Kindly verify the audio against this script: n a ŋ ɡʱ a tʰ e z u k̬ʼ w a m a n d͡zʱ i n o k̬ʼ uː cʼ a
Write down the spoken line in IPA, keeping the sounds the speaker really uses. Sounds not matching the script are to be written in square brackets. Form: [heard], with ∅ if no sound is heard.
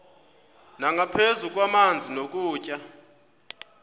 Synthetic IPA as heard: n a ŋ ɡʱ a [pʰ] e z u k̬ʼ w a m a n d͡zʱ i n o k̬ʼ uː cʼ a